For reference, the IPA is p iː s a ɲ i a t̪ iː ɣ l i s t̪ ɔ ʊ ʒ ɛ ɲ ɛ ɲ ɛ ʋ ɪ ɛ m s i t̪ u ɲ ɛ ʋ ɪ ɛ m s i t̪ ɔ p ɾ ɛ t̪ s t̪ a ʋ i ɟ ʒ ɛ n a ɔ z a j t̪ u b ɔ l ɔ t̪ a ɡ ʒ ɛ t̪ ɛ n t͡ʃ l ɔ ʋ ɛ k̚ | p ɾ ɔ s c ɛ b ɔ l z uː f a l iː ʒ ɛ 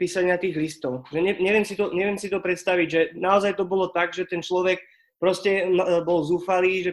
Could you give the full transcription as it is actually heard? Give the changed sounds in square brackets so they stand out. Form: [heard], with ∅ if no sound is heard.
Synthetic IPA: p iː s a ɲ [ɪ] a t̪ iː ɣ l i s t̪ ɔ ʊ ʒ ɛ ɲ ɛ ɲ ɛ ʋ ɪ ɛ m s i t̪ [ɔ] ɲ ɛ ʋ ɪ ɛ m s i t̪ ɔ p ɾ ɛ t̪ s t̪ a ʋ i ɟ ʒ ɛ n a ɔ z a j t̪ [ɔ] b ɔ l ɔ t̪ a ɡ ʒ ɛ t̪ ɛ n t͡ʃ l ɔ ʋ ɛ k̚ | p ɾ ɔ s c ɛ b ɔ l z uː f a l iː ʒ ɛ